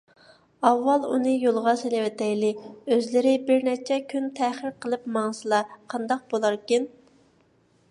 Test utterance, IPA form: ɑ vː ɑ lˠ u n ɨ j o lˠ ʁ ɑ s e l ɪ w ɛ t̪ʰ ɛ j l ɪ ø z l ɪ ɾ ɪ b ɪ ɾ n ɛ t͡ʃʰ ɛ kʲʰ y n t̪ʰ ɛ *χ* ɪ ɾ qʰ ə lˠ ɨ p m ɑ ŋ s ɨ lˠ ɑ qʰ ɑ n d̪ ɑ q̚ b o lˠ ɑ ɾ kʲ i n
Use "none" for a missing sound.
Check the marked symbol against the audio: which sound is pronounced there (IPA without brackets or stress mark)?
χ